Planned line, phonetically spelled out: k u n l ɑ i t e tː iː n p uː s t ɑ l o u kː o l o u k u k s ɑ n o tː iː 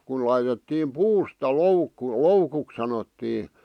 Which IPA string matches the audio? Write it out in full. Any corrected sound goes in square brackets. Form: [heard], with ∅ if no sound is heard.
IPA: k u n l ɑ i t e tː iː [m] p uː s t ɑ l o u kː [u] l o u k u k s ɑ n o tː iː